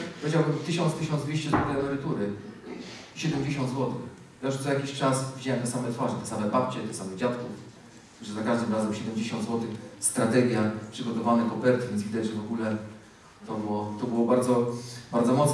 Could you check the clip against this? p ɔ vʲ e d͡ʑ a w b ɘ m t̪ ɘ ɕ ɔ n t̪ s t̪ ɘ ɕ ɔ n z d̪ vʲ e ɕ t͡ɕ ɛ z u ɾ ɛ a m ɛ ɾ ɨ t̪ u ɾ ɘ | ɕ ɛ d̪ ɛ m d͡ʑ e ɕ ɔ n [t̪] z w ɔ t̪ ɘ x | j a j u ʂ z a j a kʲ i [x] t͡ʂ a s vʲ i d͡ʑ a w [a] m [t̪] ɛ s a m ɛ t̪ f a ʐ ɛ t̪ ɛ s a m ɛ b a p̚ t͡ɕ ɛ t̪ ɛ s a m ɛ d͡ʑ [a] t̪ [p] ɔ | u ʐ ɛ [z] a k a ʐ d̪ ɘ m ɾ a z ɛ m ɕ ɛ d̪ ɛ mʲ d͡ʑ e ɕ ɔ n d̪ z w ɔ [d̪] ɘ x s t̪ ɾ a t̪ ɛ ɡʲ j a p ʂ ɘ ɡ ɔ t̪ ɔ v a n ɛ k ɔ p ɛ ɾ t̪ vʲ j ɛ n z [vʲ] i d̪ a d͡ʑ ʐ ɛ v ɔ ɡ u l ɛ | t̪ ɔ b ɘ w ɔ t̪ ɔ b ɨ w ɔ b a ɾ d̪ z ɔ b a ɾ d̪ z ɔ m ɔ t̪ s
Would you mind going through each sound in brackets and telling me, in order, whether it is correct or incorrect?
incorrect: d̪, incorrect: ɕ, incorrect: ɛ, correct, correct, incorrect: k, correct, incorrect: t̪, correct

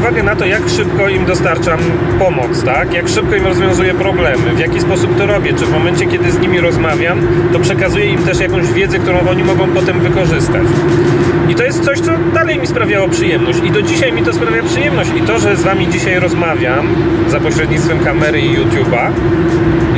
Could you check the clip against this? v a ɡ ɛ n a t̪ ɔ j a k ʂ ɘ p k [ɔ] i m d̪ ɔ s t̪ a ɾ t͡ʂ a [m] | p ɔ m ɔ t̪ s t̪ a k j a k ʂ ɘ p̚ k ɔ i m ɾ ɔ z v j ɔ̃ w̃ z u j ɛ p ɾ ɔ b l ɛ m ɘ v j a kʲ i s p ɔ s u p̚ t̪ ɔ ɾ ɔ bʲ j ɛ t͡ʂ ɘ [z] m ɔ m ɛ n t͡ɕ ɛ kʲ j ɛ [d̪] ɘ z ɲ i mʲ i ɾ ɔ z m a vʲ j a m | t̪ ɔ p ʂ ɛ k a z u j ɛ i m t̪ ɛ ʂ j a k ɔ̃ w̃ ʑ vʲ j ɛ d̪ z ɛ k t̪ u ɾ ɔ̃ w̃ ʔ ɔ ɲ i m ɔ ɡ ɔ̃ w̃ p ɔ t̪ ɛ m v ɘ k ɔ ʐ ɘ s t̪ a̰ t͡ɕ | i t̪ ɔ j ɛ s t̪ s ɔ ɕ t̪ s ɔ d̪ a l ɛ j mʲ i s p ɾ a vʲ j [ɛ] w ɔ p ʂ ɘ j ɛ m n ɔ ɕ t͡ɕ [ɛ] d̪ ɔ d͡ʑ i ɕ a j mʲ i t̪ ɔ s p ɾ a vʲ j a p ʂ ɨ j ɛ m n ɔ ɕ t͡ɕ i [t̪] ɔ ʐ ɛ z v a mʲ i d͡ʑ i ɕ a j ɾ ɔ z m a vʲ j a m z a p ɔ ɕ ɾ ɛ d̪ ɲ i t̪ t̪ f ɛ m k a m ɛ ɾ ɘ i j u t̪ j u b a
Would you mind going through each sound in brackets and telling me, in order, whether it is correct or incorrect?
correct, correct, incorrect: v, correct, incorrect: a, incorrect: i, correct

